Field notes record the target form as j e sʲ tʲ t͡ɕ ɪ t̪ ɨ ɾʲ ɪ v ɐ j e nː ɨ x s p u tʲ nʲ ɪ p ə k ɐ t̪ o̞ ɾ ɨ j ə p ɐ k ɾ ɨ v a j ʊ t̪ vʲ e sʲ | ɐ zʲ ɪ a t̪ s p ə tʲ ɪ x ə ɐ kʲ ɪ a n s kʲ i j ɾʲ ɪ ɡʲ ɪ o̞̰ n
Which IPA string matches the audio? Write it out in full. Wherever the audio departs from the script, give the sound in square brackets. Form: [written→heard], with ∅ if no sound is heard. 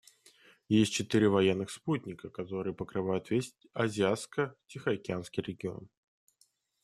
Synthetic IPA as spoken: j e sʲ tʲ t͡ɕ ɪ t̪ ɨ ɾʲ ɪ v ɐ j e nː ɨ x s p u tʲ nʲ ɪ [p→k] ə k ɐ t̪ o̞ ɾ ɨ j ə p [ɐ→ə] k ɾ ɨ v a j ʊ t̪ vʲ e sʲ | ɐ zʲ ɪ a t̪ s [p→k] ə tʲ ɪ x ə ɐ kʲ ɪ a n s kʲ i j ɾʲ ɪ ɡʲ ɪ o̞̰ n